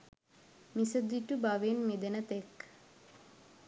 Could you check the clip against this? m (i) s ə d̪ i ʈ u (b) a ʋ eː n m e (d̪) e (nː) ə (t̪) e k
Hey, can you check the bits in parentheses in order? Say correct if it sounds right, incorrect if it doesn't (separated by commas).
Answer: correct, correct, correct, incorrect, correct